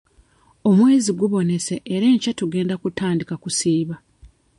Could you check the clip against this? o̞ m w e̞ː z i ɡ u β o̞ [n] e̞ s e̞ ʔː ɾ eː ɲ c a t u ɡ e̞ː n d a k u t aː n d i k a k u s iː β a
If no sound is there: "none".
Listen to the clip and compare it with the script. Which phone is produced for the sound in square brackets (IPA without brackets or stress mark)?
n